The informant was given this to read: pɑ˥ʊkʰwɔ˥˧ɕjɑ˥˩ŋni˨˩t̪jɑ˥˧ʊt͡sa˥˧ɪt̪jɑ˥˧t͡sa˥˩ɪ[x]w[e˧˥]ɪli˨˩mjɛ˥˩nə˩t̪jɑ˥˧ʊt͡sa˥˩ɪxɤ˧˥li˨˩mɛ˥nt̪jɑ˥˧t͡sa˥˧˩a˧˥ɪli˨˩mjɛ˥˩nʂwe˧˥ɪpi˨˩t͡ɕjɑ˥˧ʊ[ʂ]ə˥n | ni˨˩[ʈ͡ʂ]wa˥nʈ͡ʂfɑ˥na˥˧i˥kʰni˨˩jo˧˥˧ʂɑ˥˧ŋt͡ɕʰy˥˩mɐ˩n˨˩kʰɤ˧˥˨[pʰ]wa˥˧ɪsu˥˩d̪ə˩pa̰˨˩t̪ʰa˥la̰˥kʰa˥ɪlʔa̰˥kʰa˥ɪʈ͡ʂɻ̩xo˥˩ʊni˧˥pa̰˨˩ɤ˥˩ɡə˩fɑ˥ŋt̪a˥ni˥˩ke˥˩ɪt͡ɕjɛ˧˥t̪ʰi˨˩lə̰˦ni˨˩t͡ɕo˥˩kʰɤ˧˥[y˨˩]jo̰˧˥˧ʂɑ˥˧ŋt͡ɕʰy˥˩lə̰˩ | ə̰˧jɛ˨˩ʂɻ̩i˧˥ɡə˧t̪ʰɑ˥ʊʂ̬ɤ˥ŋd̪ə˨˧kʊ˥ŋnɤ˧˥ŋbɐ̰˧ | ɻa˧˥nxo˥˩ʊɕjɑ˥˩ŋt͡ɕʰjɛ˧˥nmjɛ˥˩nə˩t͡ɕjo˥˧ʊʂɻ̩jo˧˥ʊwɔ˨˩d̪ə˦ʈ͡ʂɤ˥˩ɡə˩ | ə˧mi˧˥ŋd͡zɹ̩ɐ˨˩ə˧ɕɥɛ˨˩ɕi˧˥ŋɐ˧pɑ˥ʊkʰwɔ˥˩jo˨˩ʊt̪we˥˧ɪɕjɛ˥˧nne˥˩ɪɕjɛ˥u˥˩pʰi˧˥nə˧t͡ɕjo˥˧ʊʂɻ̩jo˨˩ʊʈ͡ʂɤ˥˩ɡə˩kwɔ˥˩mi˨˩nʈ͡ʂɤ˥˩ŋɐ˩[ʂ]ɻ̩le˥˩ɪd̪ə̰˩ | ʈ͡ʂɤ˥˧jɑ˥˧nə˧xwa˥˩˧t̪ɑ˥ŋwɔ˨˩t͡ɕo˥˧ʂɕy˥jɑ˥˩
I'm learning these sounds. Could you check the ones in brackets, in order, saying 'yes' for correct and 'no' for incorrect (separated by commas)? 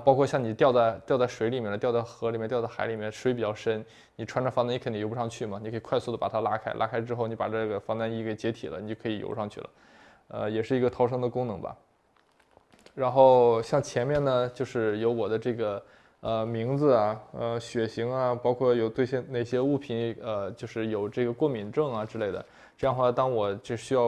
no, yes, yes, no, no, no, no